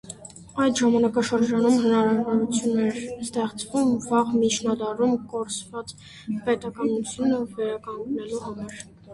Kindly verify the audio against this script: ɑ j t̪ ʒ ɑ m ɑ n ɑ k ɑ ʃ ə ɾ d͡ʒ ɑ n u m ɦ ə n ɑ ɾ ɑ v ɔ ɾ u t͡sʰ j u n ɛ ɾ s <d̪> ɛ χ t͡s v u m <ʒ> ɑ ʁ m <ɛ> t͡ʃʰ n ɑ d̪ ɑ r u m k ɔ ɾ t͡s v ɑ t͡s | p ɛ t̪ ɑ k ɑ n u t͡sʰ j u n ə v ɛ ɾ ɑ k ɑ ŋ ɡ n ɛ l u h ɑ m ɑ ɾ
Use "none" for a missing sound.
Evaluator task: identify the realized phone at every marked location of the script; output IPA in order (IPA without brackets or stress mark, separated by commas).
t̪, v, i